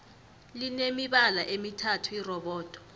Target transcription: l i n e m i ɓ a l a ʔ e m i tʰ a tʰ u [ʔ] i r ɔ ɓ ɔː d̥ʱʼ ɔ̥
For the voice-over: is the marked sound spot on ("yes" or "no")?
no